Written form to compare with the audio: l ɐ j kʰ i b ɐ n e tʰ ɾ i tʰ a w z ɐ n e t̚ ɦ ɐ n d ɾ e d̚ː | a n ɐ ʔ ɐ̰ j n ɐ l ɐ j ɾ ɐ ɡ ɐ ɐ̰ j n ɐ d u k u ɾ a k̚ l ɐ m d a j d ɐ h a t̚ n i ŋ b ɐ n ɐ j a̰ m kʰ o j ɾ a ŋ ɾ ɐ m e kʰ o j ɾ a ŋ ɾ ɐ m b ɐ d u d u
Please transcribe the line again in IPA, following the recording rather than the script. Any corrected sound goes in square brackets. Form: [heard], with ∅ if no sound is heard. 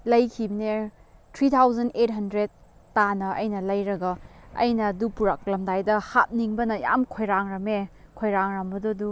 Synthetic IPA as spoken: l ɐ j kʰ i b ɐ n e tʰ ɾ i tʰ a w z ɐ n e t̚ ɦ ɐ n d ɾ e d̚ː | a n ɐ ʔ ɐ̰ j n ɐ l ɐ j ɾ ɐ ɡ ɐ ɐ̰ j n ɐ d u [p] u ɾ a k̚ l ɐ m d a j d ɐ h a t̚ n i ŋ b ɐ n ɐ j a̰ m kʰ o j ɾ a ŋ ɾ ɐ m e kʰ o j ɾ a ŋ ɾ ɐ m b ɐ d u d u